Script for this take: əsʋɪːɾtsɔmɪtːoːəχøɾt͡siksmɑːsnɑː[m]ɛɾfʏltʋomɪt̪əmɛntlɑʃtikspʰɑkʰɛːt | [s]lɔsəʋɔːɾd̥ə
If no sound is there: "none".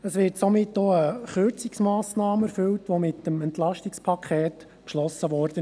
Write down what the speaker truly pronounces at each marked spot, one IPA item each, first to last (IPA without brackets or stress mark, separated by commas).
m, ʃ